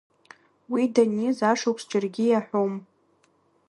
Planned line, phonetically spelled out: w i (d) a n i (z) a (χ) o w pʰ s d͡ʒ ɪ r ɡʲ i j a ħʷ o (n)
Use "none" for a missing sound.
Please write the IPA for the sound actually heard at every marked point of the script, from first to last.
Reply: d, z, ʂ, m

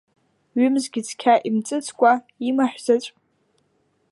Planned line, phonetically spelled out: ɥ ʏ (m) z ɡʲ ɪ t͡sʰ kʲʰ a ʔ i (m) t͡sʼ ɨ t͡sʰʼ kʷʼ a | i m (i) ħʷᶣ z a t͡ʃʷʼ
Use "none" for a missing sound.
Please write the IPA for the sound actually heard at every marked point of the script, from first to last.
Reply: m, m, a

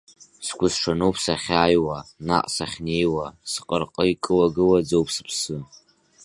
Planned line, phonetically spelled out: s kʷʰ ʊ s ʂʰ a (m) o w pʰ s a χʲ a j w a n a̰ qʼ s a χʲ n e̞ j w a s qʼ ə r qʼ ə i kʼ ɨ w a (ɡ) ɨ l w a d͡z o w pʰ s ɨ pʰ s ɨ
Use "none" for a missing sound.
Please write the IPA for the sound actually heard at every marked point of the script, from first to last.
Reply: n, ɡ

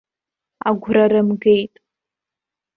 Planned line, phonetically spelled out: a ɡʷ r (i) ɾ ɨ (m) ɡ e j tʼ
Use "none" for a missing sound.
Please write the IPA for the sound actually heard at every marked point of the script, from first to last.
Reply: a, m

